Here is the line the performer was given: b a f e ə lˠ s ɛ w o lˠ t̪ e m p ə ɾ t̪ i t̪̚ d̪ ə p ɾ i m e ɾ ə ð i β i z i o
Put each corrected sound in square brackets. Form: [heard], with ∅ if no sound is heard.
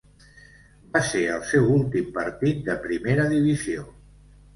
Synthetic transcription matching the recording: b a [s] e ə lˠ s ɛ w [u] lˠ t̪ [i] m p ə ɾ t̪ i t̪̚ d̪ ə p ɾ i m e ɾ ə ð i β i z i o